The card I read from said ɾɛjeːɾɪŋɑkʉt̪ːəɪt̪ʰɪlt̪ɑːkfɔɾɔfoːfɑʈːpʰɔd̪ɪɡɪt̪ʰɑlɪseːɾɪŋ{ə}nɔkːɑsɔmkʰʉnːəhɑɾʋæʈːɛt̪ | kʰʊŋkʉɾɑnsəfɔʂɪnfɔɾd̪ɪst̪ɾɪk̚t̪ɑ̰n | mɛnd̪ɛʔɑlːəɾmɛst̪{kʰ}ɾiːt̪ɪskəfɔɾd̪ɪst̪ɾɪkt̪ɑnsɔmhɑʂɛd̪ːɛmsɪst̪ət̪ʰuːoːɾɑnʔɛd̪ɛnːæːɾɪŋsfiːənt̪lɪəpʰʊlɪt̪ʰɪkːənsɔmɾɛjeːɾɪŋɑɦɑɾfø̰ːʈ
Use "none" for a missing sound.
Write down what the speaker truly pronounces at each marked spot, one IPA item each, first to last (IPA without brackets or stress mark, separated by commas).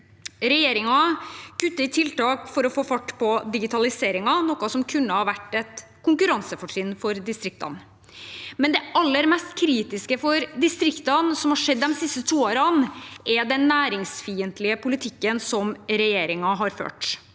ɑ, kʰ